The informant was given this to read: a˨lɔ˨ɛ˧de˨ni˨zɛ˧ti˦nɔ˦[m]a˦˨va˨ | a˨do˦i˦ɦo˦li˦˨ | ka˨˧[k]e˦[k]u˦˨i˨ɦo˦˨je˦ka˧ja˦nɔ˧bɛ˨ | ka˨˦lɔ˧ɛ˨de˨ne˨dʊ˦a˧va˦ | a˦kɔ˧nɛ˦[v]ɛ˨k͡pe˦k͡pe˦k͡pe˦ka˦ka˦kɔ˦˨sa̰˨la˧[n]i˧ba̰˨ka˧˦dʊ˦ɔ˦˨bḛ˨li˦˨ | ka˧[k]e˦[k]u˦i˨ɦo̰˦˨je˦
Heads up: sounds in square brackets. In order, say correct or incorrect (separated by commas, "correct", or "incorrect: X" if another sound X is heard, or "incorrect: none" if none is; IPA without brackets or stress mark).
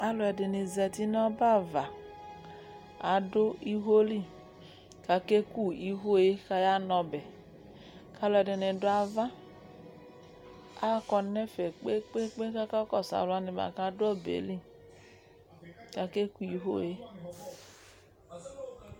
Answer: incorrect: b, correct, correct, incorrect: f, correct, correct, correct